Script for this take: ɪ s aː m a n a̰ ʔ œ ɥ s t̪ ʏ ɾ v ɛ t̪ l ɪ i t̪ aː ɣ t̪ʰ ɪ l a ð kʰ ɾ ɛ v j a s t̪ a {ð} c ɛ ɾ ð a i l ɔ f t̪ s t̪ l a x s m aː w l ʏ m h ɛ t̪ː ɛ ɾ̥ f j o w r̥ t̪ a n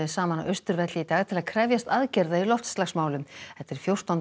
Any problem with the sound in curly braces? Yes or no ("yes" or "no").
no